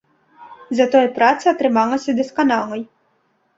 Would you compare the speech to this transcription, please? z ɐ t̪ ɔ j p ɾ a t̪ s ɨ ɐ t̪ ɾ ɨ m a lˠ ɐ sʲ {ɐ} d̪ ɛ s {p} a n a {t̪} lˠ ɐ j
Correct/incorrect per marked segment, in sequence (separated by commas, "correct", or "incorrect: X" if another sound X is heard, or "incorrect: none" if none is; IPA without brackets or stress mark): correct, incorrect: k, incorrect: none